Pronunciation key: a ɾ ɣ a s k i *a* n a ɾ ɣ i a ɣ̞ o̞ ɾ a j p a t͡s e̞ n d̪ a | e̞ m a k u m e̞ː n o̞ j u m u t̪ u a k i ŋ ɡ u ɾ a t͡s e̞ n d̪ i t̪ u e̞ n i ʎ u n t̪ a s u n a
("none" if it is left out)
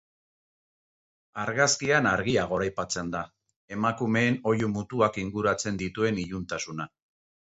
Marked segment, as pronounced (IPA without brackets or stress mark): a